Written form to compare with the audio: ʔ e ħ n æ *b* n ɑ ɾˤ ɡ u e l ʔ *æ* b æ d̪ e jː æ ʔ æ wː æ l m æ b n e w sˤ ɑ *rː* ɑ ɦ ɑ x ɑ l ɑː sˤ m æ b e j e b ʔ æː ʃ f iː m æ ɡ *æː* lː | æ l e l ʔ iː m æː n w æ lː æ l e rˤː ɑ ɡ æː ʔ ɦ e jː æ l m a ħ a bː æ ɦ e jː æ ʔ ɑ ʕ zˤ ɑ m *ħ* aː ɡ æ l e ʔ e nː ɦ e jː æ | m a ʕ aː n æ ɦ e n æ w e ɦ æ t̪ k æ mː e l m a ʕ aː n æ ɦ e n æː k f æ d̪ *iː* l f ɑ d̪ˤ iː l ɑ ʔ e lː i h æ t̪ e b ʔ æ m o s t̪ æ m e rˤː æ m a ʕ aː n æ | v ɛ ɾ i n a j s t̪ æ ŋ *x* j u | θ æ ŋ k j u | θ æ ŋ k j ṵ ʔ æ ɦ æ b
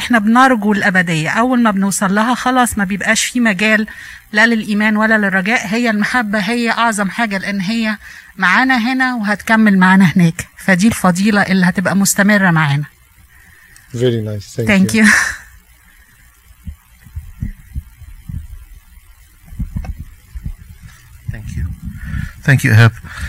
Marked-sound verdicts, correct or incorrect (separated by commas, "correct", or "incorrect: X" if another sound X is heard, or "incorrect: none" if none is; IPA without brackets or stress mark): correct, correct, incorrect: lː, correct, correct, correct, incorrect: k